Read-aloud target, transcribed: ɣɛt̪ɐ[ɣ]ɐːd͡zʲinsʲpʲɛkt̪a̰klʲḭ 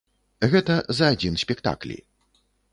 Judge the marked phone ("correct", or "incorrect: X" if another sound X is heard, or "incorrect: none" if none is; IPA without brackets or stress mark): incorrect: z